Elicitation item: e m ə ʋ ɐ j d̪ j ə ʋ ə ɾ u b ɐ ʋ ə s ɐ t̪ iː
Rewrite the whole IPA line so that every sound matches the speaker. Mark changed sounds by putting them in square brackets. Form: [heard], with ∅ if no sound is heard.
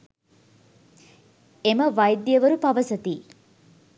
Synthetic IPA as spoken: e m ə ʋ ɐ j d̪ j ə ʋ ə ɾ u [p] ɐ ʋ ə s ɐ t̪ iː